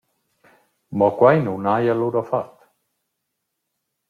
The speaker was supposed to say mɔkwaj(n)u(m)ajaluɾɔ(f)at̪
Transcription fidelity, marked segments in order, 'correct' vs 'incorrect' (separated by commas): correct, incorrect, correct